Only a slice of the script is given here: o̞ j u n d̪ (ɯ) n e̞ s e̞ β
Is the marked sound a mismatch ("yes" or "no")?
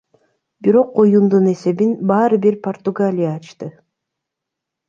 yes